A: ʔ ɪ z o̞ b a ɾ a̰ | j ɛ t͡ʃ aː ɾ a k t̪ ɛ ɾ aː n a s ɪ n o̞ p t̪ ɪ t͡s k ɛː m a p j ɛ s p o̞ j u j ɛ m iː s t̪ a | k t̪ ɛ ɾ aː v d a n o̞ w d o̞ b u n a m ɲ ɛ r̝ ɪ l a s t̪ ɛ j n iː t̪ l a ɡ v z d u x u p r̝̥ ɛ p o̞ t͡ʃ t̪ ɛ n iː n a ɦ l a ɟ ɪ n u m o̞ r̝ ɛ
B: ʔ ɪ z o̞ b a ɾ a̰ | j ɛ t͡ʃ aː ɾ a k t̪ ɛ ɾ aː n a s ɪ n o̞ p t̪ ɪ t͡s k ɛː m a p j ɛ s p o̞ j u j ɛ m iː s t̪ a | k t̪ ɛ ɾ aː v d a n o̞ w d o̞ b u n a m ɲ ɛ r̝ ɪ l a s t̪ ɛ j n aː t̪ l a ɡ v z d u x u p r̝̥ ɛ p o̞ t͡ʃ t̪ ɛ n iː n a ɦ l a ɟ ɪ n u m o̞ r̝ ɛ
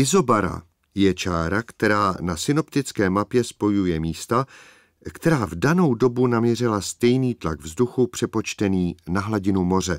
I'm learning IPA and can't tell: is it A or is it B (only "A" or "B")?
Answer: A